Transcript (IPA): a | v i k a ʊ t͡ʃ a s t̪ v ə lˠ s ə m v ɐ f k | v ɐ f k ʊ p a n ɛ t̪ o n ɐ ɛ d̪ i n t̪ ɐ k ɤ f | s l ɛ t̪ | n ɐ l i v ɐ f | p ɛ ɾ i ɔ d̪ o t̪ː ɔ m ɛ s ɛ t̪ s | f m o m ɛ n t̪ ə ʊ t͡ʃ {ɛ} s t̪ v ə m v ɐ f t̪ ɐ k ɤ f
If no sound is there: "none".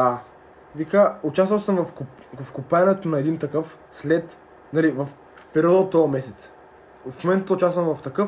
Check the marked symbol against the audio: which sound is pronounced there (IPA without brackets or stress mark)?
a